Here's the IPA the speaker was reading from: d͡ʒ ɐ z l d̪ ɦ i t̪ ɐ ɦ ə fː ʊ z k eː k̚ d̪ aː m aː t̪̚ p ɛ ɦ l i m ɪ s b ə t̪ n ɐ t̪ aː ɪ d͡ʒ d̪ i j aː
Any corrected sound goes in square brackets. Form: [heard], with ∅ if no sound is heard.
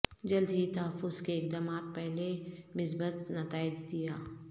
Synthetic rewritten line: d͡ʒ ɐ [∅] l d̪ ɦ i t̪ ɐ ɦ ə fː ʊ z k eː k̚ d̪ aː m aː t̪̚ p ɛ ɦ l [e] m ɪ s b ə t̪ n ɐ t̪ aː ɪ d͡ʒ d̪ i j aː